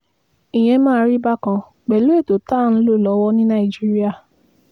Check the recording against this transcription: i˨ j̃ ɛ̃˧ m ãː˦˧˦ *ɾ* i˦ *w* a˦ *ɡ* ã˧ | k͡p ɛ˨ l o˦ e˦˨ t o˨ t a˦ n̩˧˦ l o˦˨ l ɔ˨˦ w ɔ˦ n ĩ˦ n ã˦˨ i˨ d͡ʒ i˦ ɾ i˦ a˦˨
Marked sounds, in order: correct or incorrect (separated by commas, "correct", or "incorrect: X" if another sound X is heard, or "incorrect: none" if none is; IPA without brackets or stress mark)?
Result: correct, incorrect: b, incorrect: k